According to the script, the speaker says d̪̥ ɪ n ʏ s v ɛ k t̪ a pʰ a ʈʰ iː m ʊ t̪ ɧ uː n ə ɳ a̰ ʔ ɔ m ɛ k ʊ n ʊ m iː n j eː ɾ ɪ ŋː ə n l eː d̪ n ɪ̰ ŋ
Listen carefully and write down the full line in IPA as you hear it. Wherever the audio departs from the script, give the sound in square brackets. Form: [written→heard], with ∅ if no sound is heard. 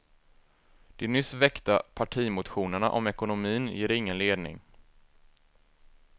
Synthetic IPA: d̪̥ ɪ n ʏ s v ɛ k t̪ a pʰ a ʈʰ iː m ʊ t̪ ɧ uː n ə ɳ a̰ ʔ ɔ m ɛ k ʊ n ʊ m iː n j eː ɾ ɪ ŋː ə n l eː d̪ n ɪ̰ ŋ